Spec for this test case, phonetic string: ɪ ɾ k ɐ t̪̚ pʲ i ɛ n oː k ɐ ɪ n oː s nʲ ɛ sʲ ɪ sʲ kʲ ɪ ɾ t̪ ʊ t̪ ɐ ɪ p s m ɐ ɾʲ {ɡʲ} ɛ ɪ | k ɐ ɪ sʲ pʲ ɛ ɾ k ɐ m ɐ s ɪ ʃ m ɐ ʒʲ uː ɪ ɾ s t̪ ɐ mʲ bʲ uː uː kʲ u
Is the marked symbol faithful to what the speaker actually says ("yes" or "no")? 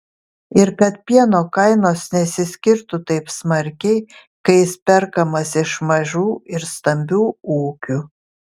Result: no